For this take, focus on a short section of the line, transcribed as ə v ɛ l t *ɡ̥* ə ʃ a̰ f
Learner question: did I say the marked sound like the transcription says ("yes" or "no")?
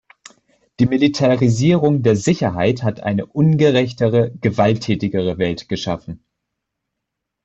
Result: yes